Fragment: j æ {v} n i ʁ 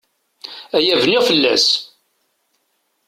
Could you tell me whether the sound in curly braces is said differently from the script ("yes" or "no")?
no